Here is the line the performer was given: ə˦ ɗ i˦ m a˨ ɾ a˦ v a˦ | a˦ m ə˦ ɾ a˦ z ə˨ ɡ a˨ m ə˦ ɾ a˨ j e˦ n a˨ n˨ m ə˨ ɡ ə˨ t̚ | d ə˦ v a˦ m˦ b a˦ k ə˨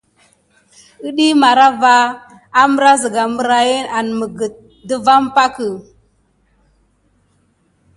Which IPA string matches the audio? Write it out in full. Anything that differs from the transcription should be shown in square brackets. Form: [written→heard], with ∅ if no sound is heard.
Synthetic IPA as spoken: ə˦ ɗ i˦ m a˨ ɾ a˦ v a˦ | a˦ m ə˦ ɾ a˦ z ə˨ ɡ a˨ m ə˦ ɾ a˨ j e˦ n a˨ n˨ m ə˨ ɡ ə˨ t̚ | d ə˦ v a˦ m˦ [b→p] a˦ k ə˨